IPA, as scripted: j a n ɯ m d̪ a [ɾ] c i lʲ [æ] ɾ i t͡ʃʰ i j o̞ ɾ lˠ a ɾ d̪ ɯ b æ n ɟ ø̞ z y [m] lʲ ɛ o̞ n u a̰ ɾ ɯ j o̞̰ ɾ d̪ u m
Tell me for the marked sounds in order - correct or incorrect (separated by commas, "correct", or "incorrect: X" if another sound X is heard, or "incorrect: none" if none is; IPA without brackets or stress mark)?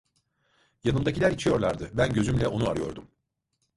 incorrect: none, correct, correct